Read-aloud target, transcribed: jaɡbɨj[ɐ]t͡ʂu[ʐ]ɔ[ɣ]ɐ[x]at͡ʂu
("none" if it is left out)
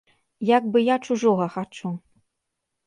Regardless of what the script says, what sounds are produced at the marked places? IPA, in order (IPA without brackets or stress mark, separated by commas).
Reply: a, ʐ, ɣ, x